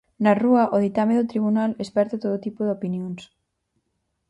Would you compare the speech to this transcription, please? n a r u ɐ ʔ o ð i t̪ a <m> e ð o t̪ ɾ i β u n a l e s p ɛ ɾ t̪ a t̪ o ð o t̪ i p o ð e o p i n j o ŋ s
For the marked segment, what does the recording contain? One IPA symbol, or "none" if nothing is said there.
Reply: m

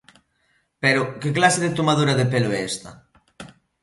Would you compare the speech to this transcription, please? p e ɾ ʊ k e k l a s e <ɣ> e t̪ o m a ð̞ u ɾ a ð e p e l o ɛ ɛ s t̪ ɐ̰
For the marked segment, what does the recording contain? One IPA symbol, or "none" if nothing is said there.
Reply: ð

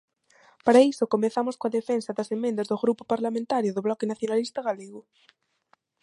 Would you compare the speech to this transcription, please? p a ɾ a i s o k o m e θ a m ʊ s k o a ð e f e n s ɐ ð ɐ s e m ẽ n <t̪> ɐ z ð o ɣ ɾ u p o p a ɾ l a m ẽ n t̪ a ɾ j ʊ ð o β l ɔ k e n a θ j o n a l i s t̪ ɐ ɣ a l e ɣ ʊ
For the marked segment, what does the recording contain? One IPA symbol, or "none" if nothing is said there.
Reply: d̪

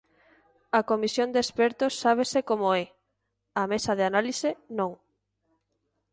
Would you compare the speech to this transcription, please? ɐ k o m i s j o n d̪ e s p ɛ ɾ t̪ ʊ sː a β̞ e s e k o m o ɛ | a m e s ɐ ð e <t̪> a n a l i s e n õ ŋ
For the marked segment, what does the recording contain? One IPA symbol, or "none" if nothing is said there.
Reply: none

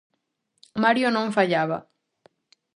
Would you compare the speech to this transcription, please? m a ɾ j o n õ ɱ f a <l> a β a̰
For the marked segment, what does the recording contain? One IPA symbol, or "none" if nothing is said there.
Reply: ʎ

